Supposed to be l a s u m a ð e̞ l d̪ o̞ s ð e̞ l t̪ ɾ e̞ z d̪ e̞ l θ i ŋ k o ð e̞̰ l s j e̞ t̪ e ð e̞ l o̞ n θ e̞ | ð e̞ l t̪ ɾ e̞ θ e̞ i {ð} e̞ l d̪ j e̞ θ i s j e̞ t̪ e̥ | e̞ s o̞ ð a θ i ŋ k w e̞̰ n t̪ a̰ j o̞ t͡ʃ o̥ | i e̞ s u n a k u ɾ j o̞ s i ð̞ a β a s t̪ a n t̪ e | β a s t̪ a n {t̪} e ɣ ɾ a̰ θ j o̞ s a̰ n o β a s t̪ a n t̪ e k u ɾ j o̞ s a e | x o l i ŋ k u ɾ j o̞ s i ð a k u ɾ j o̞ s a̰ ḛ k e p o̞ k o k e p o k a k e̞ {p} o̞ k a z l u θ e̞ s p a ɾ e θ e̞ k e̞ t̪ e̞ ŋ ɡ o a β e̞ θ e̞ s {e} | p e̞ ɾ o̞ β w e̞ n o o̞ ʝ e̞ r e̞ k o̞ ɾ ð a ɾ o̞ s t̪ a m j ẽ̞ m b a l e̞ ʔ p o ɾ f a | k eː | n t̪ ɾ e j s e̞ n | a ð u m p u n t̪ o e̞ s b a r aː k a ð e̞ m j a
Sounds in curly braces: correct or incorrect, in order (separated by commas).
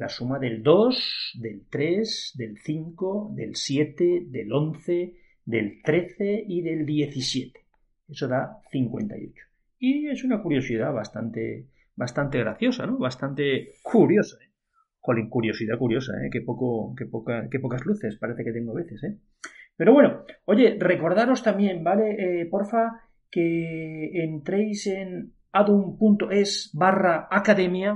correct, correct, correct, correct